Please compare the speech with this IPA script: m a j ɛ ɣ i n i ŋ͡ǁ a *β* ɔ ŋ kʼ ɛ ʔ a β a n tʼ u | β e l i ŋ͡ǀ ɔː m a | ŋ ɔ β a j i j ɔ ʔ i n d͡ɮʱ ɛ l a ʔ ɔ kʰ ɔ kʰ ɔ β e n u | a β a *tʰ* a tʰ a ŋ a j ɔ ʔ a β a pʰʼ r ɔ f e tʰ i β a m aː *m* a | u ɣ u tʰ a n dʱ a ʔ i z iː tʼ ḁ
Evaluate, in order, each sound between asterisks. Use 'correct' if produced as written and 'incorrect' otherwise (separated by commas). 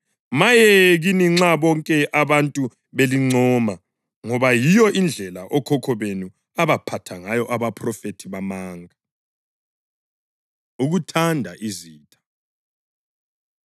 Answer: correct, incorrect, incorrect